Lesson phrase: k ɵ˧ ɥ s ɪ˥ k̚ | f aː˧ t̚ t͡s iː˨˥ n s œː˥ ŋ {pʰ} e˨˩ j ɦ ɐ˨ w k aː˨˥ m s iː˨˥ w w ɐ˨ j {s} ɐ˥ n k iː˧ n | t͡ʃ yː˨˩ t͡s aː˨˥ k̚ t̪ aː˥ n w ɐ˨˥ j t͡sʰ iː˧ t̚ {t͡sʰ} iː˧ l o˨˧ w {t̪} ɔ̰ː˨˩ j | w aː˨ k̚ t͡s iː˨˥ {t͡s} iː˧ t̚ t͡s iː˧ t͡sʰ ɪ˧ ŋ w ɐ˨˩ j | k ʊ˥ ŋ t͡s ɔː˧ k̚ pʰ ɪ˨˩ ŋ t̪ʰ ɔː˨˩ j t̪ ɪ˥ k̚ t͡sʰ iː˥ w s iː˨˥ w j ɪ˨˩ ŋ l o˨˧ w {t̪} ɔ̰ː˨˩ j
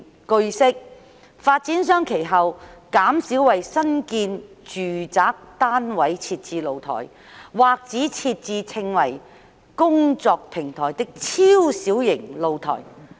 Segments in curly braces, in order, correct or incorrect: incorrect: kʰ, correct, incorrect: t͡s, incorrect: t̪ʰ, incorrect: t͡sʰ, incorrect: t̪ʰ

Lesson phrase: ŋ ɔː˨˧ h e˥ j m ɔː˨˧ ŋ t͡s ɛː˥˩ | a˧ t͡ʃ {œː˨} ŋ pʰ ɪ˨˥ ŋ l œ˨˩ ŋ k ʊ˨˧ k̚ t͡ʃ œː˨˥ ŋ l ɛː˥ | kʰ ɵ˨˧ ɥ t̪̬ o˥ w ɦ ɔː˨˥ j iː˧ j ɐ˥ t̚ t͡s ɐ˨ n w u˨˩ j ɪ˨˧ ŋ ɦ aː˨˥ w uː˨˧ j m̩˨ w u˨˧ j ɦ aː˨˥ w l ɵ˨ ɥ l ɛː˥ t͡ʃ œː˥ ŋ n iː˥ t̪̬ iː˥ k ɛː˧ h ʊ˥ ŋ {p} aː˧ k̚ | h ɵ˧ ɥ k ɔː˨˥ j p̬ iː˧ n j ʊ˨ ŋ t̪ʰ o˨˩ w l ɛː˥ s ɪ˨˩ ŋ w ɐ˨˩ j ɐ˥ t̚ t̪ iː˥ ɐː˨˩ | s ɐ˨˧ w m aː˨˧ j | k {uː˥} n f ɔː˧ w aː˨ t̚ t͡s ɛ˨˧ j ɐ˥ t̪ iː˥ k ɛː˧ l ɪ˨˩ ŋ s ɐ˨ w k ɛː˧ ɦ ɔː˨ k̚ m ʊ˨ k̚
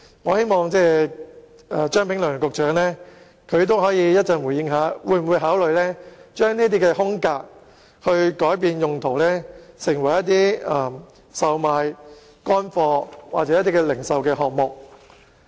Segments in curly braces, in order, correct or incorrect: incorrect: œː˥, incorrect: k, incorrect: ɔː˥

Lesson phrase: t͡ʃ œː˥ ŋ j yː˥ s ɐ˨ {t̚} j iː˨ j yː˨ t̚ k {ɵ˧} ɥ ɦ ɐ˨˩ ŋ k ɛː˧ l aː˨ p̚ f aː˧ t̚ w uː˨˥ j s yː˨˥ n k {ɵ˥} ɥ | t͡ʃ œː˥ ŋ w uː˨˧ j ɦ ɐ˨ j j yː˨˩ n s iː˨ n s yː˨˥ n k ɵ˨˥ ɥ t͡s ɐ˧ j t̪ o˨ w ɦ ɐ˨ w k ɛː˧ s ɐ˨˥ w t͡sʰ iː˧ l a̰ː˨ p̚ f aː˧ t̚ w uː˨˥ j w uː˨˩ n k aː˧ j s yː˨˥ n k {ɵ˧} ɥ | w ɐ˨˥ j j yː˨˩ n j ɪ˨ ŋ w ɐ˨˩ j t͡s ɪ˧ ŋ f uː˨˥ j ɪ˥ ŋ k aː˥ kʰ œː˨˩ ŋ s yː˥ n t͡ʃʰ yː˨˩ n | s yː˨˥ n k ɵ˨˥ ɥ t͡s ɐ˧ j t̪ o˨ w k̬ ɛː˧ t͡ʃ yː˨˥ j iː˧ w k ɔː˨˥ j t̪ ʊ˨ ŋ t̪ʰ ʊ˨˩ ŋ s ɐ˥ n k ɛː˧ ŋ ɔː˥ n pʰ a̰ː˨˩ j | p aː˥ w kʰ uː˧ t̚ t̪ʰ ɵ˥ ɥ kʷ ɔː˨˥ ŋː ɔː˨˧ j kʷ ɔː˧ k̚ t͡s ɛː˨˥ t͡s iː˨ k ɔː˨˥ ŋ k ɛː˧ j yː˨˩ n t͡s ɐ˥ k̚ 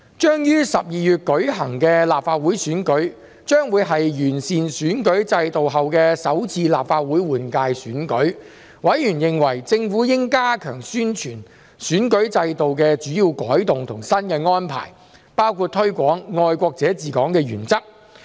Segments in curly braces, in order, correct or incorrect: incorrect: p̚, incorrect: ɵ˨˥, incorrect: ɵ˨˥, incorrect: ɵ˨˥

